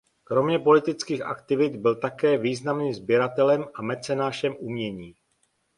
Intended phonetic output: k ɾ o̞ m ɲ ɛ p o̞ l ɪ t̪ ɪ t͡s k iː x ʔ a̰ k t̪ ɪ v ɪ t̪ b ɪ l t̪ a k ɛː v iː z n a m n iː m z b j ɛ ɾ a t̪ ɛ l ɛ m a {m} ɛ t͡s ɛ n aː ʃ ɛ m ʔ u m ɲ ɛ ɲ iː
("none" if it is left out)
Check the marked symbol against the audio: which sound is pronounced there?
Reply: m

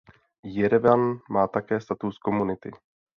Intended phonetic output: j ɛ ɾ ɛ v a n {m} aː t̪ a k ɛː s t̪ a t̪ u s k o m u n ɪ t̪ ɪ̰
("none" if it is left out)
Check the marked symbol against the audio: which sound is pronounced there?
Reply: m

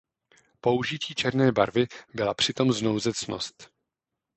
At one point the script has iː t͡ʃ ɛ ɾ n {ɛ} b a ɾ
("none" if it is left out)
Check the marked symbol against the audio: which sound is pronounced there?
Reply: ɛː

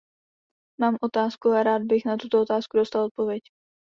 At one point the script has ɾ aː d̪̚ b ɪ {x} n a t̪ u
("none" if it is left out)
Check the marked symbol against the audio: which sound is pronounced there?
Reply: x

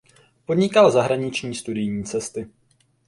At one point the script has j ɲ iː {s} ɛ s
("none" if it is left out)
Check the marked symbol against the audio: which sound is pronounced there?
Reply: t͡s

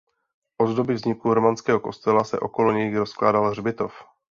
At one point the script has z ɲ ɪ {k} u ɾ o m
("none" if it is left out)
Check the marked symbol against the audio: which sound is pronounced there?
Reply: k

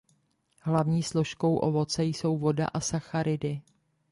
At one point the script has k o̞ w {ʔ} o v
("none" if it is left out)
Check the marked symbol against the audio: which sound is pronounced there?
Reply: ʔ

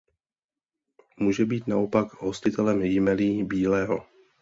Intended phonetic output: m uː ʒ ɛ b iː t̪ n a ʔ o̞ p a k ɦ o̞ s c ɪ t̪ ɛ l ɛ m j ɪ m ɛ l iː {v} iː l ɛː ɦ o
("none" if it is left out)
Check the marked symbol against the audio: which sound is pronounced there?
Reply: b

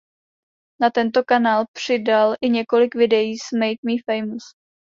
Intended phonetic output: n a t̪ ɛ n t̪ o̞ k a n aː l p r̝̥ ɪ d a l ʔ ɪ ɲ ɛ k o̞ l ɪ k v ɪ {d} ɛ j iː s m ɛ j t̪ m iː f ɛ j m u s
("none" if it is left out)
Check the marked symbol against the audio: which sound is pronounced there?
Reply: d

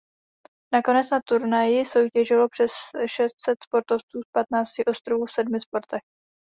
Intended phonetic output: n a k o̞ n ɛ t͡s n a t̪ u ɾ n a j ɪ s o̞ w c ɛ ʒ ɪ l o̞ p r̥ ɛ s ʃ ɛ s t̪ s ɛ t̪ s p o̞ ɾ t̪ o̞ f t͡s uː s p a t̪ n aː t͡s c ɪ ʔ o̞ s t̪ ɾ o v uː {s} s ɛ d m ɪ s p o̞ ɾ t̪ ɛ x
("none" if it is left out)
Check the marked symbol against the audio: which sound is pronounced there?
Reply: f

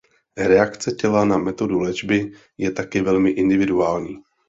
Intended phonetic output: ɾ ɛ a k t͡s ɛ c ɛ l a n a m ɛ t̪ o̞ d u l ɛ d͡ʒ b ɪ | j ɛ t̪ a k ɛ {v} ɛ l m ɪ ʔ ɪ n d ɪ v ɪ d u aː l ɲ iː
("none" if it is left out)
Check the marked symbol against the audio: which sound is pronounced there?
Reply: v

